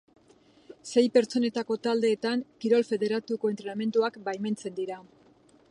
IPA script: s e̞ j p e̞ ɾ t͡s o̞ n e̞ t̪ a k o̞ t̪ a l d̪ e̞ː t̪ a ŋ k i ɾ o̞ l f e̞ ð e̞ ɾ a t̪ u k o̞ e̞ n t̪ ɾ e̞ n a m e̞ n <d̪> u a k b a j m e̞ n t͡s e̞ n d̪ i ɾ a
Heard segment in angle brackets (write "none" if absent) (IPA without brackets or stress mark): t̪